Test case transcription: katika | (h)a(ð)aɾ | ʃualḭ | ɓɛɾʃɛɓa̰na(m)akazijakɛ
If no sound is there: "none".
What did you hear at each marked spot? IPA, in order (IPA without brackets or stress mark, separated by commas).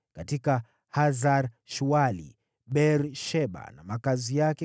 h, z, m